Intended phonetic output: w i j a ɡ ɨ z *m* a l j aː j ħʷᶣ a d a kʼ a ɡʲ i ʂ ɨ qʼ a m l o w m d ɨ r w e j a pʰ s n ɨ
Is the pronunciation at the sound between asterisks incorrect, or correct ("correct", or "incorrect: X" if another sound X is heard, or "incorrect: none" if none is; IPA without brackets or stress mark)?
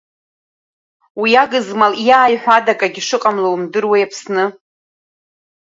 correct